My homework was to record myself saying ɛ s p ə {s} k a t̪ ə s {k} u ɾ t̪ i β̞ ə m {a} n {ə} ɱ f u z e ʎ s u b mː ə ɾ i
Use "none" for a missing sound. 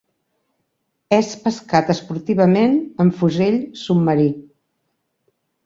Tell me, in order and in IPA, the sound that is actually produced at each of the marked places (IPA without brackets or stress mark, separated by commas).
s, p, e, ə